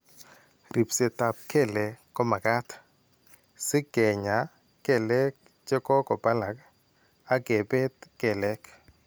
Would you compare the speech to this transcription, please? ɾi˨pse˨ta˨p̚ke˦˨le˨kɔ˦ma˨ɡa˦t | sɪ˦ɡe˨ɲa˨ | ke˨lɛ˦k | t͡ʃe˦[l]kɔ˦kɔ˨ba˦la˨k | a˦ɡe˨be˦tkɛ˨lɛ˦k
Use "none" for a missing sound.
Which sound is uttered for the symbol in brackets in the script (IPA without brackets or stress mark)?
none